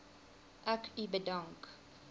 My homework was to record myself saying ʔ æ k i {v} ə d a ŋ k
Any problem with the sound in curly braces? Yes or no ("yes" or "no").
yes